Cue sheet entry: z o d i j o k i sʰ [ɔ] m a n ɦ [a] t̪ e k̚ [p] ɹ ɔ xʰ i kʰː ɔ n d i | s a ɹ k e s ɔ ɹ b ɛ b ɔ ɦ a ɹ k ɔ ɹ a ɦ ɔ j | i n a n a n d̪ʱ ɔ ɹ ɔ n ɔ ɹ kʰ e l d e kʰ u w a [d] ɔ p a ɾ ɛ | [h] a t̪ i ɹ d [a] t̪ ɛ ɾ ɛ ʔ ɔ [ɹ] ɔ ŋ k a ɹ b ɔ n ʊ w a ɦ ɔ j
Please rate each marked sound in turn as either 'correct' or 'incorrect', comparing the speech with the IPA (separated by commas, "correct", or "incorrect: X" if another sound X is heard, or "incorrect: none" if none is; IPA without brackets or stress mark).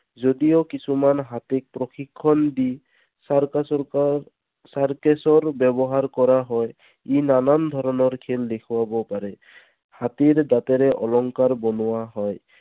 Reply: incorrect: u, correct, correct, incorrect: b, correct, correct, incorrect: l